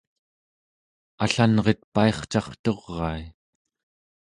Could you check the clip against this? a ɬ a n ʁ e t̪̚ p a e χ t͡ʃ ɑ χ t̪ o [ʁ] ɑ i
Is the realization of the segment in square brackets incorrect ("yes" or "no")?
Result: yes